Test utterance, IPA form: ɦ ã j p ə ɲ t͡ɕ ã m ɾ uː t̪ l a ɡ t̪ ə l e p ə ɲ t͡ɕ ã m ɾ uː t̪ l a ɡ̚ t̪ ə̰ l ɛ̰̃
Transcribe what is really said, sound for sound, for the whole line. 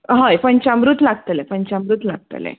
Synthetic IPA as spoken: ɦ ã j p ə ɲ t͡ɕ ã m ɾ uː t̪ l a ɡ t̪ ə l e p ə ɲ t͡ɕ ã m ɾ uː t̪ l a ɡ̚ t̪ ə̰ l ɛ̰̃